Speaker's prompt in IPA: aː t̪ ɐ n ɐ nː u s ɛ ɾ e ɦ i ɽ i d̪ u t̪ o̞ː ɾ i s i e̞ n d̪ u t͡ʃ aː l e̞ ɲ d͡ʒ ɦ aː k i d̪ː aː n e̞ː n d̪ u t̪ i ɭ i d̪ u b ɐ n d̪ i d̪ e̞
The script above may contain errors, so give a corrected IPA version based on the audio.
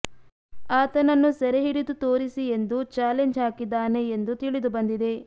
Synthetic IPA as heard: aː t̪ ɐ n ɐ nː u s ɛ ɾ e ɦ i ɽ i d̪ u t̪ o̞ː ɾ i s i e̞ n d̪ u t͡ʃ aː l e̞ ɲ d͡ʒ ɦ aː k i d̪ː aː n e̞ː n d̪ u t̪ i ɭ i d̪ u b ɐ n d̪ i d̪ e̞